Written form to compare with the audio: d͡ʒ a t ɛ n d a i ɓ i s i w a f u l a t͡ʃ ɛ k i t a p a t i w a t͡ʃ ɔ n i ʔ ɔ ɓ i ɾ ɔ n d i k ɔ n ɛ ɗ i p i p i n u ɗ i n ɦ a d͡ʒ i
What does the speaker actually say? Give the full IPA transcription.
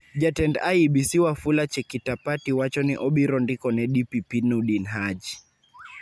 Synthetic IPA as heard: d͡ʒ a t ɛ n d a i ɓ i s i w a f u l a t͡ʃ ɛ k i t a p a t i w a t͡ʃ ɔ n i ʔ ɔ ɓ i ɾ ɔ n d i k ɔ n ɛ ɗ i p i p i n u ɗ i n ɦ a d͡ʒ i